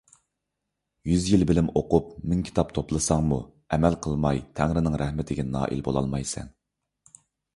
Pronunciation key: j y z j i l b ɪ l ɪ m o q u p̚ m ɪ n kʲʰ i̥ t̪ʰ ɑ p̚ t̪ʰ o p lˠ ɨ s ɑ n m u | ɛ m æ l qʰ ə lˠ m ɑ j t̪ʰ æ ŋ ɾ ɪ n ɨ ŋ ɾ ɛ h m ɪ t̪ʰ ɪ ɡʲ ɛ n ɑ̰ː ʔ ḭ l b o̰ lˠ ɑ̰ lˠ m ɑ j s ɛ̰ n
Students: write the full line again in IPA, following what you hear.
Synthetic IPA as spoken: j y z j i l b ɪ l ɪ m o q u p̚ m ɪ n kʲʰ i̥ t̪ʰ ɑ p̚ t̪ʰ o p lˠ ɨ s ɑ ŋ m u | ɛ m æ l qʰ ə lˠ m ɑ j t̪ʰ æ ŋ ɾ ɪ n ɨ ŋ ɾ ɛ h m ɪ t̪ʰ ɪ ɡʲ ɛ n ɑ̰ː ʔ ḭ l b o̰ lˠ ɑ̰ lˠ m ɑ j s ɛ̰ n